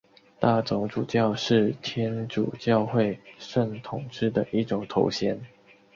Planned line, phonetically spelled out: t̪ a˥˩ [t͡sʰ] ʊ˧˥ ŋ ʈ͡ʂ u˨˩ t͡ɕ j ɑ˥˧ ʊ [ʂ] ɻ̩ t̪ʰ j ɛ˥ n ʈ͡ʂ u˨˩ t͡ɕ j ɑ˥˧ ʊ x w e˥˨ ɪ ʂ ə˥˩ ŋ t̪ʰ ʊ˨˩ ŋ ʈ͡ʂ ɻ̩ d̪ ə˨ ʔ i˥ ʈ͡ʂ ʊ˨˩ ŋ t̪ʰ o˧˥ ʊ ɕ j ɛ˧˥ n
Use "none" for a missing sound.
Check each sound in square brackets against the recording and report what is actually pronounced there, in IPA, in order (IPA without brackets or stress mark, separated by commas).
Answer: t͡s, ʂ